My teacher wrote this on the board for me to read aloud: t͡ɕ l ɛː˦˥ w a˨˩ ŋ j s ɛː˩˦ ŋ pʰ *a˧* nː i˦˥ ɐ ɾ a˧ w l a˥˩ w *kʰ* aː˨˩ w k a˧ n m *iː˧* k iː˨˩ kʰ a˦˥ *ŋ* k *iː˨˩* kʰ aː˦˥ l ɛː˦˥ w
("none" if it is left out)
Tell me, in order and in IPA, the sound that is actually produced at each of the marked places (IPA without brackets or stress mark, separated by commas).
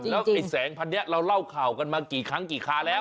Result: a˧, kʰ, aː˧, ŋ, iː˨˩